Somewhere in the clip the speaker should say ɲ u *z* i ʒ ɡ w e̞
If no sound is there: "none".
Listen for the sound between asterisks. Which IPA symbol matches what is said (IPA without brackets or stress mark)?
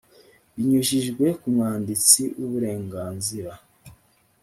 ʒ